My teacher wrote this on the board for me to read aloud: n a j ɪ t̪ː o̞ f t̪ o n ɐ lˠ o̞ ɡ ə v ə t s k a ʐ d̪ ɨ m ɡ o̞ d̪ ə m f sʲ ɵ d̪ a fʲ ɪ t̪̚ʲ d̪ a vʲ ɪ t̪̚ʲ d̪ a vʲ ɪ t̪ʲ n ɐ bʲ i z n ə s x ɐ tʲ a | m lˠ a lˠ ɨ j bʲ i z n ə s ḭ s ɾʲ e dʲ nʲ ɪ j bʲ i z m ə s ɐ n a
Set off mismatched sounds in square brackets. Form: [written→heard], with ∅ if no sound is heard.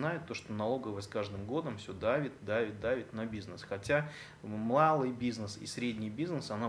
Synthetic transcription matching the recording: n a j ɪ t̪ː o̞ [f→ʂ] t̪ o n ɐ lˠ o̞ ɡ ə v ə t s k a ʐ d̪ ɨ m ɡ o̞ d̪ ə m f sʲ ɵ d̪ a [fʲ→vʲ] ɪ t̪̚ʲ d̪ a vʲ ɪ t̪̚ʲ d̪ a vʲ ɪ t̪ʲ n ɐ bʲ i z n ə s x ɐ tʲ a | m lˠ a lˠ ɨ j bʲ i z n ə s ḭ s ɾʲ e dʲ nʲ ɪ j bʲ i z [m→n] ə s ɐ n a